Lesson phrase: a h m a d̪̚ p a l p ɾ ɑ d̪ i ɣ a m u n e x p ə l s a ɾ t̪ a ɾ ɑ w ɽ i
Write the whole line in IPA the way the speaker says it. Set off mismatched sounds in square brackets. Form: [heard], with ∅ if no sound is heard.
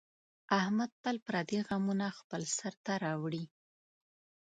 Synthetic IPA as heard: a h m a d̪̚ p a l p ɾ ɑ d̪ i ɣ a m u n [a] x p ə l s a ɾ t̪ a ɾ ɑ w ɽ i